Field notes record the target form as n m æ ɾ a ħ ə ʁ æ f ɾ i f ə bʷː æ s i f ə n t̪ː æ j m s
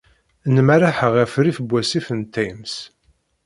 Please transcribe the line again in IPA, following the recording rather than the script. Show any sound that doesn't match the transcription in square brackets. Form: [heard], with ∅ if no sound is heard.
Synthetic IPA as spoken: n m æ ɾ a ħ ə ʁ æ f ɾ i f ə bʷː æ s i f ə n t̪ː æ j m s